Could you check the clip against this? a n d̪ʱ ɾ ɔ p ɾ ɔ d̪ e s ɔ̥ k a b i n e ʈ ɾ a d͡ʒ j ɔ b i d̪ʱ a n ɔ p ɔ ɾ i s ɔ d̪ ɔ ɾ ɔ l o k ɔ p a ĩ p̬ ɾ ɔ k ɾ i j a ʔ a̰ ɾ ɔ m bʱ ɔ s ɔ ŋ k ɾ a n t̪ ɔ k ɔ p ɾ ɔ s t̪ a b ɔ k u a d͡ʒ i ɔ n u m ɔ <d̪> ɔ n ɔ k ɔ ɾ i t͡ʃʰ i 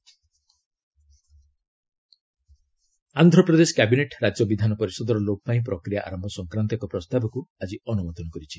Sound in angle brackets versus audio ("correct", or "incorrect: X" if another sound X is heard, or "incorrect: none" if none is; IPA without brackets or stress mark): incorrect: t̪